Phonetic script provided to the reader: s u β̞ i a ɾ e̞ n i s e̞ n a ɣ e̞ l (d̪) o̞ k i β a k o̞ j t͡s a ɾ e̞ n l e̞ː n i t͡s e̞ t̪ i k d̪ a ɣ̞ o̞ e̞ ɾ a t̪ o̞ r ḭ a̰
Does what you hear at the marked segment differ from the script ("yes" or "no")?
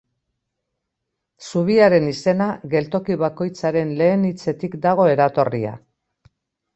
yes